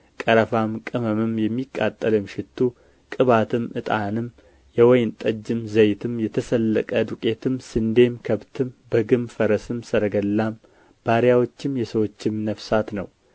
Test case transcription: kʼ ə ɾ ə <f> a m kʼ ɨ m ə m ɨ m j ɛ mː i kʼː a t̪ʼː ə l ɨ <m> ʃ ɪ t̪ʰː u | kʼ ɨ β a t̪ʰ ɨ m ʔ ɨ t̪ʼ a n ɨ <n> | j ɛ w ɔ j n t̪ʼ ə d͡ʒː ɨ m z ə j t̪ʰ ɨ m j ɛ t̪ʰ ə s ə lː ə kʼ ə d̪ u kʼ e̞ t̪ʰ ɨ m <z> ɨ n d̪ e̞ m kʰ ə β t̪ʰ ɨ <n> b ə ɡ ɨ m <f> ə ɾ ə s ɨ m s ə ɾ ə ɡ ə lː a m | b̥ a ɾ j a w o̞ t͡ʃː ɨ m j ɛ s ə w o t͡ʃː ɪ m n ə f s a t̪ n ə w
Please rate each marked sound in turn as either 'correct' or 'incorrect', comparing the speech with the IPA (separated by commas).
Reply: correct, correct, incorrect, incorrect, incorrect, correct